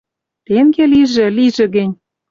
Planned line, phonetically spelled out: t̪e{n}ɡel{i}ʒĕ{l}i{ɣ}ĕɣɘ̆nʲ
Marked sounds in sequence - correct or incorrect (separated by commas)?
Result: incorrect, correct, correct, incorrect